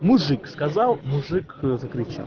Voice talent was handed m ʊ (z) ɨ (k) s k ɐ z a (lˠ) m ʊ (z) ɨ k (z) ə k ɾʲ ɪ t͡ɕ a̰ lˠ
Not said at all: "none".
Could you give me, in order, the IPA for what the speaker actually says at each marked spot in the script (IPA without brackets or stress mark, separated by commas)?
ʐ, k, lˠ, ʐ, z